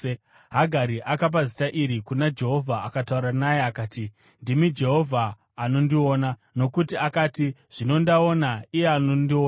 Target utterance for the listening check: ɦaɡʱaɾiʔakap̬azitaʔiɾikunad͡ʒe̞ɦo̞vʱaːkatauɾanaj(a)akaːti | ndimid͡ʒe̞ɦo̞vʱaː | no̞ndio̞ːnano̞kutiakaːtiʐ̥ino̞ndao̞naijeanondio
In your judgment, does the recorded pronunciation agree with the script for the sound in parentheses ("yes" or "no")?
no